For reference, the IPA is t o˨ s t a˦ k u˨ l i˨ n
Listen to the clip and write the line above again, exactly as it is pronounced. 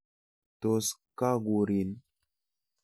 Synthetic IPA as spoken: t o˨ s k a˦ ɡ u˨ ɾ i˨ n